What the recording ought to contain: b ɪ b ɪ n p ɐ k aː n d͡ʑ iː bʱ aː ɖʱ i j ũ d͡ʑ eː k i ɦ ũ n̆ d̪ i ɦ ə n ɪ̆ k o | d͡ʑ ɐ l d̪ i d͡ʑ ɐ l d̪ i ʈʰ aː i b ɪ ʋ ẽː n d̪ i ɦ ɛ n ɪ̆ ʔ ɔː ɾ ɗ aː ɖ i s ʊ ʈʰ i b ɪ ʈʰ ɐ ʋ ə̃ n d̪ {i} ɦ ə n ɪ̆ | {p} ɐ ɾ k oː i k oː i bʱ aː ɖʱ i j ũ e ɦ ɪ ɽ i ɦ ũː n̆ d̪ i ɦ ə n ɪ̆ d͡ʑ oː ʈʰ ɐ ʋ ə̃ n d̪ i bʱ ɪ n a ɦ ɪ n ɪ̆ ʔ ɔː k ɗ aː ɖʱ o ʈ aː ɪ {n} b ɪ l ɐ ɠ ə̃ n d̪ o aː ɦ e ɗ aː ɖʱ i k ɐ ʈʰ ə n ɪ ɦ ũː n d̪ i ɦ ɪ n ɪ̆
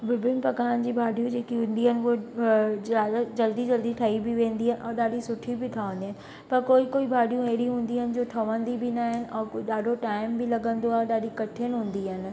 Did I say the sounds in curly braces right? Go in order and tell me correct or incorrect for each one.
correct, correct, incorrect

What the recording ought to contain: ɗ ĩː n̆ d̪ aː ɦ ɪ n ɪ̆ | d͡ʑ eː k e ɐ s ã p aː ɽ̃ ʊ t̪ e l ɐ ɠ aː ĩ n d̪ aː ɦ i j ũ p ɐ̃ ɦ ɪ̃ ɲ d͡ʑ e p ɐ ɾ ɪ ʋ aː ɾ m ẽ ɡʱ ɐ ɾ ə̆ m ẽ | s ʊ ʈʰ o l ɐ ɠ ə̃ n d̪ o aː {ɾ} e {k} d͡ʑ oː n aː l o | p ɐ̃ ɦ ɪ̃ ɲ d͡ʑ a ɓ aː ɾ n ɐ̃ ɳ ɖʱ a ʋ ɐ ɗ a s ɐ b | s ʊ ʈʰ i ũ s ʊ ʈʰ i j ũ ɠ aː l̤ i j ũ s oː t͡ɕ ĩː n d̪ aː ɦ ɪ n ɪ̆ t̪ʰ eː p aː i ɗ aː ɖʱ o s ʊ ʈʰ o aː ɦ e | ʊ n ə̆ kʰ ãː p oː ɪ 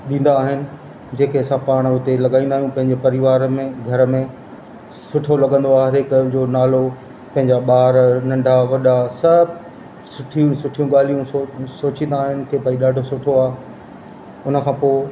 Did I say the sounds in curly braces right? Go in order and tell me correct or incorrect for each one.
correct, correct

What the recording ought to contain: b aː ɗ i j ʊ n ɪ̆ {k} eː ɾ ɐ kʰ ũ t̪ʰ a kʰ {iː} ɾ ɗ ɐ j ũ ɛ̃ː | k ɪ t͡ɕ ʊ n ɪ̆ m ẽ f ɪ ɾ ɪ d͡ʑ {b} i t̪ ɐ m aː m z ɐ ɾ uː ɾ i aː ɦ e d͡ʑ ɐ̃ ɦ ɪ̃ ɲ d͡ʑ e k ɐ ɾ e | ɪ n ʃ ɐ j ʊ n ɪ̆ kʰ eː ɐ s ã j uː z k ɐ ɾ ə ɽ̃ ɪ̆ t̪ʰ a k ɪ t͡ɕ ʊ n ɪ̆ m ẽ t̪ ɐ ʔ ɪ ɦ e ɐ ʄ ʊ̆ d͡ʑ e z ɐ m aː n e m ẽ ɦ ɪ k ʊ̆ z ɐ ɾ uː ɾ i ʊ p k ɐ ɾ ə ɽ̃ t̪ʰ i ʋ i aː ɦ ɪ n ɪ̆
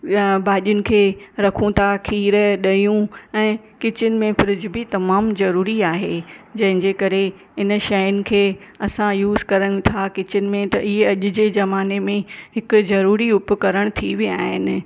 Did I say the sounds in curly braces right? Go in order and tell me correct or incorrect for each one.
incorrect, correct, correct

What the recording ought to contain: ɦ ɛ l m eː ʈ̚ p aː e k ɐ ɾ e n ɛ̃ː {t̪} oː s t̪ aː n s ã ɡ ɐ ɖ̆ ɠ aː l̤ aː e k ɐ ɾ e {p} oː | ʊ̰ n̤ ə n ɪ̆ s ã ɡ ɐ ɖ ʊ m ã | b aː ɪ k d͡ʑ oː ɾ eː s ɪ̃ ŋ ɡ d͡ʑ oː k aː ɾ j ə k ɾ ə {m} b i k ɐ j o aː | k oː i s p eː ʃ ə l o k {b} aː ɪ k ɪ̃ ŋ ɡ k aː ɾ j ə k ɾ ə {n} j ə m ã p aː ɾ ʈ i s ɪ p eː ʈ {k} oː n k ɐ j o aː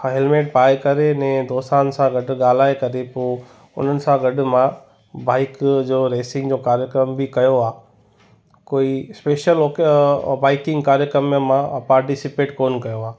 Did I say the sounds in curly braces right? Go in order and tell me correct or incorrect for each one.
incorrect, correct, correct, correct, incorrect, correct

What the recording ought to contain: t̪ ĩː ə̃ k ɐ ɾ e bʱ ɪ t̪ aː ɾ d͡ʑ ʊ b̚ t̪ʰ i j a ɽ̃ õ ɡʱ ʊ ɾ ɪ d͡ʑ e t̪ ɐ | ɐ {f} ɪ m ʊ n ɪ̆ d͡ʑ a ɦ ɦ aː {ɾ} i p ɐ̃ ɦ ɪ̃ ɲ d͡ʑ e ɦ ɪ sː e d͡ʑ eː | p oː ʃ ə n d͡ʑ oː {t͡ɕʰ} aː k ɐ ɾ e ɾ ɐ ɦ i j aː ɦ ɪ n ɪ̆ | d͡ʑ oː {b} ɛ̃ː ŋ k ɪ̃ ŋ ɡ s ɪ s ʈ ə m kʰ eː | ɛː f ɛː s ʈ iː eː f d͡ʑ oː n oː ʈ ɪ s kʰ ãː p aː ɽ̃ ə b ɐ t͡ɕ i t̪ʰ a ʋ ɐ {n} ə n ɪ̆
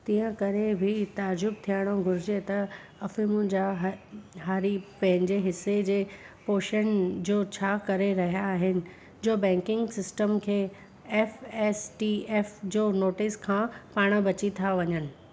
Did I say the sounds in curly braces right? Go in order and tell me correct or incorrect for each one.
correct, correct, correct, correct, incorrect

